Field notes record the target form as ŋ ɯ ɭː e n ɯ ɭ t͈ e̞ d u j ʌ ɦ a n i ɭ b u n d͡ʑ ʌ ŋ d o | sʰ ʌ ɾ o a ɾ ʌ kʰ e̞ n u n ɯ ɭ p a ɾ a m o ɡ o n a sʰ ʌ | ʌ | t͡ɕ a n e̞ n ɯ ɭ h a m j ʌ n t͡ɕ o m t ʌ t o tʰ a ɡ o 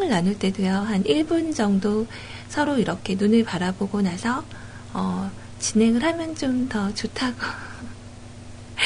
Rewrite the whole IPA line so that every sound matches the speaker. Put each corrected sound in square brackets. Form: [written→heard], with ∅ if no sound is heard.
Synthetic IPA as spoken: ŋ ɯ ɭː [e→a] n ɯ ɭ t͈ e̞ d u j ʌ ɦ a n i ɭ b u n d͡ʑ ʌ ŋ d o | sʰ ʌ ɾ o [a→i] ɾ ʌ kʰ e̞ n u n ɯ ɭ p a ɾ a [m→b] o ɡ o n a sʰ ʌ | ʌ | t͡ɕ [a→i] n e̞ [n→ŋ] ɯ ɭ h a m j ʌ n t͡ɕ o m t ʌ [t→t͡ɕ] o tʰ a ɡ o